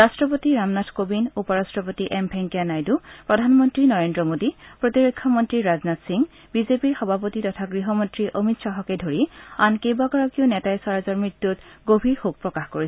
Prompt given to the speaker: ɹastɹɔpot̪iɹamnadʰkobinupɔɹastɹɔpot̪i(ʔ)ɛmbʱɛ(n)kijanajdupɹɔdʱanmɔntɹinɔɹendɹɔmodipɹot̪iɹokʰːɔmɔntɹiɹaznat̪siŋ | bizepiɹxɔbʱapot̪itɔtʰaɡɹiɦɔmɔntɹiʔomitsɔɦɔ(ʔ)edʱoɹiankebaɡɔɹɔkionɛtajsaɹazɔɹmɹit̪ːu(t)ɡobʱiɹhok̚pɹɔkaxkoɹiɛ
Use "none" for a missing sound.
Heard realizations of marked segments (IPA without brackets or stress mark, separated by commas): ʔ, ŋ, k, t